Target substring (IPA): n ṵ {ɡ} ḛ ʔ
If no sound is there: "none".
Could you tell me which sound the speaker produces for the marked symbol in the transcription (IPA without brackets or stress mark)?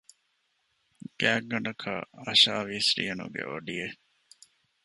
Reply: ɡ